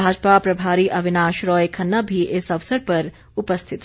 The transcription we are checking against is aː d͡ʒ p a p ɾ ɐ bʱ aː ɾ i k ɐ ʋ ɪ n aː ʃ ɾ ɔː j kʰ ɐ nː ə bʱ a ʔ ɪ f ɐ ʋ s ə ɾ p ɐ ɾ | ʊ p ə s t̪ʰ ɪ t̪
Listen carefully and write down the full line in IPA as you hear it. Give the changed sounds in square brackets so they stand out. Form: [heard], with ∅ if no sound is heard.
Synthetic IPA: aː d͡ʒ p a p ɾ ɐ bʱ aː ɾ i [ʔ] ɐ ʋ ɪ n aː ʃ ɾ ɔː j kʰ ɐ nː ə bʱ [i] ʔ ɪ [s] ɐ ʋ s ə ɾ p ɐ ɾ | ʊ p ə s t̪ʰ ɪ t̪